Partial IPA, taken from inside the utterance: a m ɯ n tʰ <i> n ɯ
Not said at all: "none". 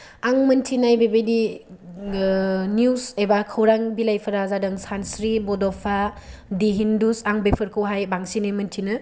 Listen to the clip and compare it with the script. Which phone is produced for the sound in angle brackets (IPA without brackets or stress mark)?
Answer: i